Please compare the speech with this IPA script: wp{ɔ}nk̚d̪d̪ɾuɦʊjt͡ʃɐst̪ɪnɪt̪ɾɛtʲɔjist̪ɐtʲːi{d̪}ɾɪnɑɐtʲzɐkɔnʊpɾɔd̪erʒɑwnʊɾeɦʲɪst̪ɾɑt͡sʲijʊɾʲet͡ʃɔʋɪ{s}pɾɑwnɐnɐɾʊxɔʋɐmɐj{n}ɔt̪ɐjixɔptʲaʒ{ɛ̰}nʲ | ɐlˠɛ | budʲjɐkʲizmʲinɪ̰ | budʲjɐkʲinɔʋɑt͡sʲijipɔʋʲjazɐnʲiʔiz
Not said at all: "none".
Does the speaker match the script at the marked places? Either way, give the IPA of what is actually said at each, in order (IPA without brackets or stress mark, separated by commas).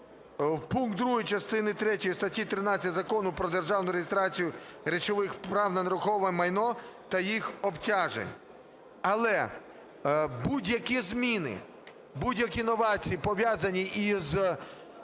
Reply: u, t̪, x, n, ḛ